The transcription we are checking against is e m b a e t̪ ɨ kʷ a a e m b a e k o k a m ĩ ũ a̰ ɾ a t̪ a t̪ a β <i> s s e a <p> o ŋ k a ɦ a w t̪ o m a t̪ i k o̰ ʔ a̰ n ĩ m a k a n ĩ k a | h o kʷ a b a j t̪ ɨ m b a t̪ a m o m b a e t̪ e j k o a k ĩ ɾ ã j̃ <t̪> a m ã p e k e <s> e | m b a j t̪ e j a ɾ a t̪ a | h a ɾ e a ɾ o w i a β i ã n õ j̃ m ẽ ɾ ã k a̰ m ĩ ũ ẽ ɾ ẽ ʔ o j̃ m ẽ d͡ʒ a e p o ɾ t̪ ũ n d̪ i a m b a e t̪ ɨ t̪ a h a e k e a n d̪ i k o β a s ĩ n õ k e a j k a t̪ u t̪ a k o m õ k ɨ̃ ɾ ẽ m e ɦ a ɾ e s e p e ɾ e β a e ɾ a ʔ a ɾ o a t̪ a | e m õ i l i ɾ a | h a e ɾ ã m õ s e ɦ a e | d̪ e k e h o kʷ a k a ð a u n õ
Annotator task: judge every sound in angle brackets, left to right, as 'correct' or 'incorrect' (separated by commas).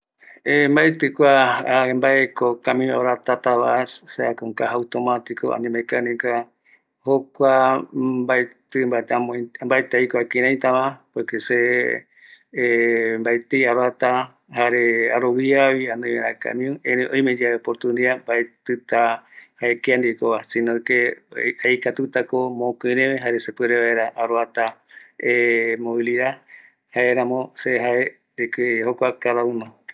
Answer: incorrect, incorrect, correct, correct